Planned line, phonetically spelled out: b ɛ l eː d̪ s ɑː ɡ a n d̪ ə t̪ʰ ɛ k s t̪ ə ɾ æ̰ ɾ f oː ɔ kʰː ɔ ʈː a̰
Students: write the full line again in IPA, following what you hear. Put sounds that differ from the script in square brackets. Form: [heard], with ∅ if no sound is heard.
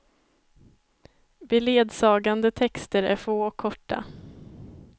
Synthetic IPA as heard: b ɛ l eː d̪ s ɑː ɡ a n d̪ ə t̪ʰ ɛ k s t̪ ə ɾ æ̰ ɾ f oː ɔ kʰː ɔ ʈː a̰